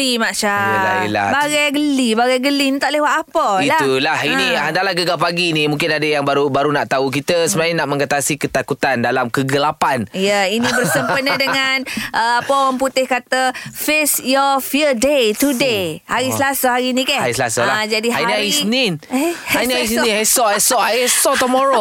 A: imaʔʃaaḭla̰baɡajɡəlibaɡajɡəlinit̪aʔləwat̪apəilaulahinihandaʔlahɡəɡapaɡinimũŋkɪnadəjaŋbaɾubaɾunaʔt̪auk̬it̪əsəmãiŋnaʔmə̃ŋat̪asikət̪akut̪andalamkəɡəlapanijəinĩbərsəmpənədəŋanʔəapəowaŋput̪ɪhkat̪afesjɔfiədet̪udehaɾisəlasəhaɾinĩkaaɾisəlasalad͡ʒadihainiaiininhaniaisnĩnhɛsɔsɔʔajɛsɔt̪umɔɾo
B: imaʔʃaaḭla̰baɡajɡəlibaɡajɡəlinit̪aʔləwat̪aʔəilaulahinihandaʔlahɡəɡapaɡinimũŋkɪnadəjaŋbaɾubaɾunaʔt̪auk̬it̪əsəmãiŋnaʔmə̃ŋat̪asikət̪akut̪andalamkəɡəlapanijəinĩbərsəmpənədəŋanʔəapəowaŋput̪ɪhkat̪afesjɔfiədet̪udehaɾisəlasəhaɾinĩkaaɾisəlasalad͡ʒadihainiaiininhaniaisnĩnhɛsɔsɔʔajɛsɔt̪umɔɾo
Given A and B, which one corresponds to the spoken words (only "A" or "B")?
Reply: A